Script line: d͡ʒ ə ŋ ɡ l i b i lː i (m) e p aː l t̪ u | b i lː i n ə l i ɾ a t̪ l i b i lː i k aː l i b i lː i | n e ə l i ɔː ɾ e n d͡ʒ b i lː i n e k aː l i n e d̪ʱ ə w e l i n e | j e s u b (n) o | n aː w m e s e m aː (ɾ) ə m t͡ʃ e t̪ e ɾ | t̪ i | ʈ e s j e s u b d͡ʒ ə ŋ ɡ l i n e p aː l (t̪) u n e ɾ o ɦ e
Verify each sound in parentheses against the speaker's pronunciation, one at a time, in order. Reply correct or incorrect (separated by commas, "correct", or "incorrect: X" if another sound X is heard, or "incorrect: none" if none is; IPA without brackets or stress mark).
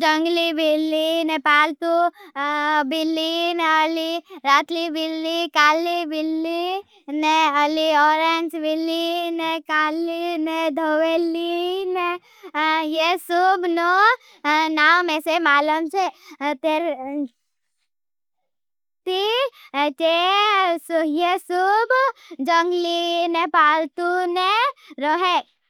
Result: incorrect: n, correct, incorrect: l, correct